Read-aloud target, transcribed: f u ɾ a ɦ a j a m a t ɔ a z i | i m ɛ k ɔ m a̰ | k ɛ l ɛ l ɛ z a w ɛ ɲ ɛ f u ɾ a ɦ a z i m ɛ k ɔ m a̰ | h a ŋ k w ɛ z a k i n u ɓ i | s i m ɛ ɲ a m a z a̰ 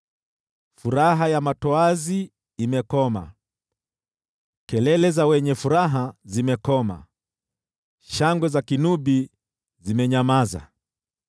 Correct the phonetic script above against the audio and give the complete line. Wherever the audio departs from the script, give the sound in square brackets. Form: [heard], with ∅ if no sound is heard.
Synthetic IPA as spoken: f u ɾ a ɦ a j a m a t ɔ a z i | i m ɛ k ɔ m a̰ | k ɛ l ɛ l ɛ z a w ɛ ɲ ɛ f u ɾ a ɦ a z i m ɛ k ɔ m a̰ | [ʃ] a ŋ [ɡ] w ɛ z a k i n u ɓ i | [z] i m ɛ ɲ a m a z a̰